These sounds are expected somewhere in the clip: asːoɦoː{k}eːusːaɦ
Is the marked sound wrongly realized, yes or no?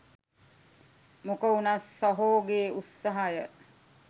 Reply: yes